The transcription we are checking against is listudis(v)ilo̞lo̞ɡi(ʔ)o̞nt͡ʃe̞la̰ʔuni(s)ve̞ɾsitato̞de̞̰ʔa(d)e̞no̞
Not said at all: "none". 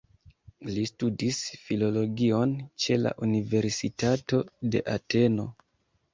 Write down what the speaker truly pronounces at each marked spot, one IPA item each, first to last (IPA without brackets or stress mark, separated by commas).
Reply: f, none, none, t